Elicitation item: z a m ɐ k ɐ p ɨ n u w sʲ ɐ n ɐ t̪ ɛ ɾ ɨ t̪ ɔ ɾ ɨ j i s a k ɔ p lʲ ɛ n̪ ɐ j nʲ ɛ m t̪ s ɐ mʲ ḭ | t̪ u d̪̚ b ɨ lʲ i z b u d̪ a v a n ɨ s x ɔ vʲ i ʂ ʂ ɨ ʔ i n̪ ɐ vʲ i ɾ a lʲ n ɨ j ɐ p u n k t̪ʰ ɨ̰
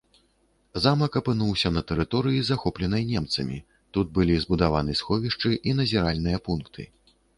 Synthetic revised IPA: z a m ɐ k ɐ p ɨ n u w sʲ ɐ n ɐ t̪ ɛ ɾ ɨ t̪ ɔ ɾ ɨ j i z a x ɔ p lʲ ɛ n̪ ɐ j nʲ ɛ m t̪ s ɐ mʲ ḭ | t̪ u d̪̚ b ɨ lʲ i z b u d̪ a v a n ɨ s x ɔ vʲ i ʂ t͡ʂ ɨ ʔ i n̪ ɐ zʲ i ɾ a lʲ n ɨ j ɐ p u n k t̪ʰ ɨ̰